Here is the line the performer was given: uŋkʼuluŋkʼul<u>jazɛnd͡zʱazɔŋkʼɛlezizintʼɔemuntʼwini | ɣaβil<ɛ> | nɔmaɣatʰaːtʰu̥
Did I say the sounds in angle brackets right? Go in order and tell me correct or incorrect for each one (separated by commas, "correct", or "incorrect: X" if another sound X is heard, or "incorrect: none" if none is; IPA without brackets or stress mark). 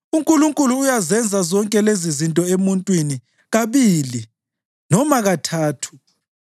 incorrect: uː, incorrect: i